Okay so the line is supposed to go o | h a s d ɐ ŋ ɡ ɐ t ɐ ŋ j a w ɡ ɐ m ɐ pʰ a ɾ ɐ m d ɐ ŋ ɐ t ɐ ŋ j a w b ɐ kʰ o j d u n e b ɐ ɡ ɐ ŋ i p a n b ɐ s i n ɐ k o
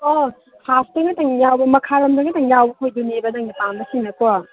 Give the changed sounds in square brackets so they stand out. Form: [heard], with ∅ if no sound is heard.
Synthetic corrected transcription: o | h a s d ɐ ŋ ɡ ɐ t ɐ ŋ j a w [b] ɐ m ɐ [kʰ] a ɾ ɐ m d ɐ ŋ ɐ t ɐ ŋ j a w b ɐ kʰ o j d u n e b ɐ [d] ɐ ŋ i p a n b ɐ s i n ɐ k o